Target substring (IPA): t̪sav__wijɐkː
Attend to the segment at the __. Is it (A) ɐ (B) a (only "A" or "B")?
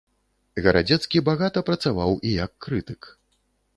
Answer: B